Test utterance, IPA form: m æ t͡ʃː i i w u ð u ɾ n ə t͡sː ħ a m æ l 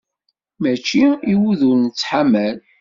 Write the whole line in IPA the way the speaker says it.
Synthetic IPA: m æ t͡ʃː i i w u ð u ɾ n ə t͡sː ħ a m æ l